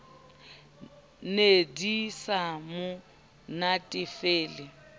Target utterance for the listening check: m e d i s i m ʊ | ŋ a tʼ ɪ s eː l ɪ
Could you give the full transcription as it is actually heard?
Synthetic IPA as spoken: n e d i s a m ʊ | n a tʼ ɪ f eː l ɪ